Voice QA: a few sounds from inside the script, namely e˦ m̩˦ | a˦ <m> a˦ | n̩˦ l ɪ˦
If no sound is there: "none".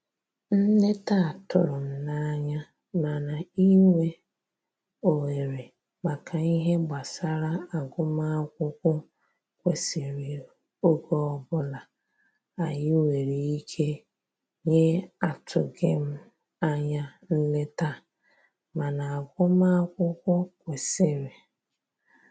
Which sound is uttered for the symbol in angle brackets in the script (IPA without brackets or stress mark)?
ɲ